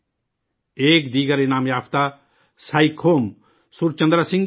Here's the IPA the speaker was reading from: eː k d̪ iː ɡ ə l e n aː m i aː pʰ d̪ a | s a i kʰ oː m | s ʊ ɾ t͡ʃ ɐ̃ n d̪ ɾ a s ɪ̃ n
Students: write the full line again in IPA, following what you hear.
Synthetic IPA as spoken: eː k d̪ iː ɡ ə ɾ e n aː m j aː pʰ t̪ a | s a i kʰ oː m | s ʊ ɾ t͡ʃ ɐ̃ n d̪ ɾ a s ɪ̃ ŋ